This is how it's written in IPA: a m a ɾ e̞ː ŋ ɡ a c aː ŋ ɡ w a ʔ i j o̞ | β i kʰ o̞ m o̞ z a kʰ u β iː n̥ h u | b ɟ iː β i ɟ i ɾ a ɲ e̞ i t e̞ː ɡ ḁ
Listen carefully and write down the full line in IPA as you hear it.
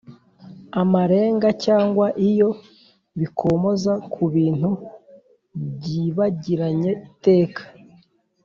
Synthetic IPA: a m a ɾ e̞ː ŋ ɡ a c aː ŋ ɡ w a ʔ i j o̞ | β i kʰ o̞ m o̞ z a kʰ u β iː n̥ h u | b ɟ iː β a ɟ i ɾ a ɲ e̞ i t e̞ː k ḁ